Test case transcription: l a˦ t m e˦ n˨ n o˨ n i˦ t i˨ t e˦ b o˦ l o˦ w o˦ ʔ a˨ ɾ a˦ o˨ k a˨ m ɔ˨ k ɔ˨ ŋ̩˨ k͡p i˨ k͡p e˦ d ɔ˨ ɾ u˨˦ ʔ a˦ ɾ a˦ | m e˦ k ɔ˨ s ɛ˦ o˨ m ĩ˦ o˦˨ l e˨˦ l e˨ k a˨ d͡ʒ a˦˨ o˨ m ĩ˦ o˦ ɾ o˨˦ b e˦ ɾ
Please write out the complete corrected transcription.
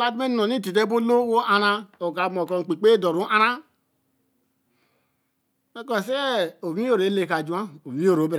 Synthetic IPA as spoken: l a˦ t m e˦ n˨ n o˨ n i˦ t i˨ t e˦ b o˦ l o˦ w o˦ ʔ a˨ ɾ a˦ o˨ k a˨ m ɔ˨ k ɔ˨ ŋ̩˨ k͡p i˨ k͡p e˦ d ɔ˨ ɾ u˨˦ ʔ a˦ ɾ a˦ | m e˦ k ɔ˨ s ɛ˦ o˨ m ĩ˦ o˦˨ ɾ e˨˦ l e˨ k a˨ d͡ʒ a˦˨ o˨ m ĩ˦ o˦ ɾ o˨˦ b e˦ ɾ